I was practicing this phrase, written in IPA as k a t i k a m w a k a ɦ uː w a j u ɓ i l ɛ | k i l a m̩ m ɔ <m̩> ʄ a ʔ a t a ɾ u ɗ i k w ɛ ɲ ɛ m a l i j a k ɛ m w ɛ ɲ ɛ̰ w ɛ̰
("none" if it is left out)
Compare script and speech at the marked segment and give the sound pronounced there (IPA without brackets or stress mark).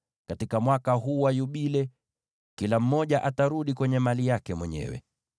none